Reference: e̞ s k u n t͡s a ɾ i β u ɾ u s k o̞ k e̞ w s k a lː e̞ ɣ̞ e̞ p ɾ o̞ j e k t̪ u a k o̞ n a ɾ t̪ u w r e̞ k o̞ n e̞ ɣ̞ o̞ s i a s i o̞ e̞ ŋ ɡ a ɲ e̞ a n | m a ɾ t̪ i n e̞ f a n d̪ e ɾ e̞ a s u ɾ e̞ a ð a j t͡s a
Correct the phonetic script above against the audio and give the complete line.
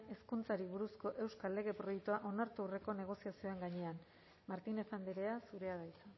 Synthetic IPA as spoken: e̞ s k u n t͡s a ɾ i β u ɾ u s k o̞ ʔ e̞ w s k a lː e̞ ɣ̞ e̞ p ɾ o̞ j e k t̪ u a ʔ o̞ n a ɾ t̪ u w r e̞ k o̞ n e̞ ɣ̞ o̞ s i a s i o̞ e̞ ŋ ɡ a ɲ e̞ a n | m a ɾ t̪ i n e̞ f a n d̪ e ɾ e̞ a s u ɾ e̞ a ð a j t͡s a